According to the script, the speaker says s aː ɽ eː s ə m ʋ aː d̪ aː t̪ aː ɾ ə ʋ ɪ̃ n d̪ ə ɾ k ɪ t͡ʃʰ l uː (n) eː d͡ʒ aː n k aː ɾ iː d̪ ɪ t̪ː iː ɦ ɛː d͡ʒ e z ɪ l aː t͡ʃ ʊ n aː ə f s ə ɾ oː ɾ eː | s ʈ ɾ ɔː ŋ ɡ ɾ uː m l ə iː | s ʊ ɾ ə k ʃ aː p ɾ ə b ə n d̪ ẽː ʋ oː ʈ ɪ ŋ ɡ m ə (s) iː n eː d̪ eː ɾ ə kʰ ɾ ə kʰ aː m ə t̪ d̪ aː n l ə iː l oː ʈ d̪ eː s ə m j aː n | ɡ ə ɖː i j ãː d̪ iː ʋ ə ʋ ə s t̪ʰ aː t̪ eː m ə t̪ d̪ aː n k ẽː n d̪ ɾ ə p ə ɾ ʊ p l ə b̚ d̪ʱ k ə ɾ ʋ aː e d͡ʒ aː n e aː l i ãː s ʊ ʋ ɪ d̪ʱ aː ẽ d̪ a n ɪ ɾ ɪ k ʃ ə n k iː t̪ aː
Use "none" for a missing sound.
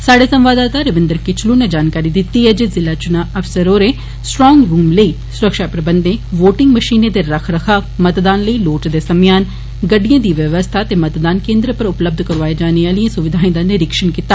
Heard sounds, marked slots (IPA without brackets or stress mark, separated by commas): n, ʃ